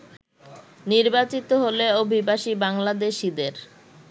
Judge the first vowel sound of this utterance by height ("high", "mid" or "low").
high